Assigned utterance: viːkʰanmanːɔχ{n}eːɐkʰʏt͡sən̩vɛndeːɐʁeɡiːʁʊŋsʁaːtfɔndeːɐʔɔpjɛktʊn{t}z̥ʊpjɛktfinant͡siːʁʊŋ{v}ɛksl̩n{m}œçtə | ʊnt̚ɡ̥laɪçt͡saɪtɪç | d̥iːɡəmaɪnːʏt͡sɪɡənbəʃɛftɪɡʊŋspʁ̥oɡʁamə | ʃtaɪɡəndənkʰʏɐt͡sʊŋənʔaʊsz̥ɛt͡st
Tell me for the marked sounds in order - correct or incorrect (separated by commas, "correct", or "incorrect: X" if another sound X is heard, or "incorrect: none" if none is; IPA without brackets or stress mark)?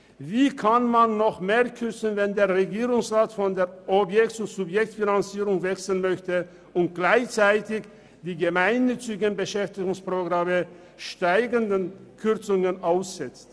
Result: incorrect: m, correct, correct, correct